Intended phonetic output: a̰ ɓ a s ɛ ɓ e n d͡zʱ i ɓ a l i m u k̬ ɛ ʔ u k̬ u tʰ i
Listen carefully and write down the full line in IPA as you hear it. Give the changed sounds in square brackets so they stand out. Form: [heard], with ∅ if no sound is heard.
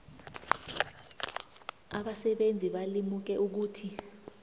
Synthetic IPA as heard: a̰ ɓ a s ɛ ɓ e n d͡zʱ i ɓ a l i m u k̬ ɛ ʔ u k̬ [uː] tʰ i